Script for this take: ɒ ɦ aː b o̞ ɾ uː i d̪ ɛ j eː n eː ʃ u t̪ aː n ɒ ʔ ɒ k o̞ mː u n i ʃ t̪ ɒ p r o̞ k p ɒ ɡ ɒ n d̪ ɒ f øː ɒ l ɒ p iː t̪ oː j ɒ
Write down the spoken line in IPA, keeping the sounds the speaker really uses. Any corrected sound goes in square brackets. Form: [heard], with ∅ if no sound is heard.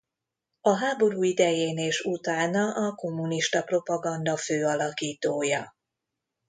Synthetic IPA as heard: ɒ ɦ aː b o̞ ɾ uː i d̪ ɛ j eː n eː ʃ u t̪ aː n ɒ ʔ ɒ k o̞ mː u n i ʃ t̪ ɒ p r o̞ [∅] p ɒ ɡ ɒ n d̪ ɒ f øː ɒ l ɒ [k] iː t̪ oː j ɒ